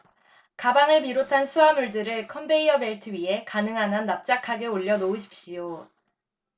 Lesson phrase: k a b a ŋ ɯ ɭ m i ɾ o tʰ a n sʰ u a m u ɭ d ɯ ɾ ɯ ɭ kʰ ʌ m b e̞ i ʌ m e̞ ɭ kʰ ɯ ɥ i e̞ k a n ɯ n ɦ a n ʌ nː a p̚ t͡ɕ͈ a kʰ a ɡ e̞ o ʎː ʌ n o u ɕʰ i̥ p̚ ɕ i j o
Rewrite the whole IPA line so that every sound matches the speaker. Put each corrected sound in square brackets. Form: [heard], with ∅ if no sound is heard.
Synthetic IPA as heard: k a b a ŋ ɯ ɭ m i ɾ o tʰ a n sʰ u a m u ɭ d ɯ ɾ ɯ ɭ kʰ ʌ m b e̞ i ʌ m e̞ ɭ [tʰ] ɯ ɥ i e̞ k a n ɯ [ŋ] ɦ a n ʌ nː a p̚ t͡ɕ͈ a kʰ a ɡ e̞ o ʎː ʌ n o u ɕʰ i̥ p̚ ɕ i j o